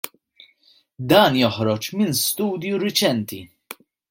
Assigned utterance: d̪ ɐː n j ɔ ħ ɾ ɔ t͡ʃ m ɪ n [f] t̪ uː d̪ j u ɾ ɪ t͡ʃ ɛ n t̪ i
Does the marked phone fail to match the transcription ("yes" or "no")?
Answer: yes